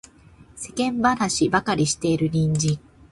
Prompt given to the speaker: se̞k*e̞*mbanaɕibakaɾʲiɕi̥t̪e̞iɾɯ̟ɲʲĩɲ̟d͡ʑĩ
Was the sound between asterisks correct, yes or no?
no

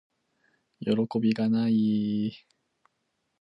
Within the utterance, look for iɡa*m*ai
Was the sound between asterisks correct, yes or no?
no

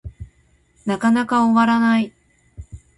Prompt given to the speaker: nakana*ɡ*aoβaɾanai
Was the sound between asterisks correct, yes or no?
no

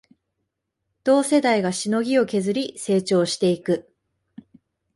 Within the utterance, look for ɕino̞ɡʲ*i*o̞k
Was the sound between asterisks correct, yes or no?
yes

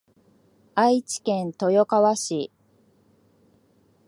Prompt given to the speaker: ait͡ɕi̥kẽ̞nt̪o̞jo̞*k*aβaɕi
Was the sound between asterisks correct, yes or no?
yes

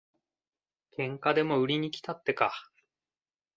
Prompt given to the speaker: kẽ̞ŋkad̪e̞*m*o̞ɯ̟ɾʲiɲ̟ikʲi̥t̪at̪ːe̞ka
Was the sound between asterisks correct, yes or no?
yes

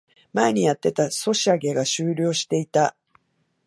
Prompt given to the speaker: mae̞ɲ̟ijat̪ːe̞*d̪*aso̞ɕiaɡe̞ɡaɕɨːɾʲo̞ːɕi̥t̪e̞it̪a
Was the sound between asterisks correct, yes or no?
no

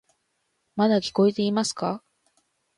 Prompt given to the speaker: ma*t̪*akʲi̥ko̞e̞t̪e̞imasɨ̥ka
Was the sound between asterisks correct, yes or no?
no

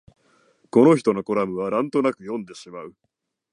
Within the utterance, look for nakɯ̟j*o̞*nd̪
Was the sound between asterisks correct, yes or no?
no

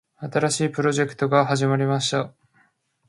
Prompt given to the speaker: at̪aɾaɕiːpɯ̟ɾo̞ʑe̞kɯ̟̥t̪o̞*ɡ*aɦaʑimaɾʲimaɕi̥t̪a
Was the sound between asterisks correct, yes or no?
yes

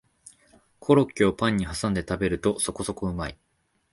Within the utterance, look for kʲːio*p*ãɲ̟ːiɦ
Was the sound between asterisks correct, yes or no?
yes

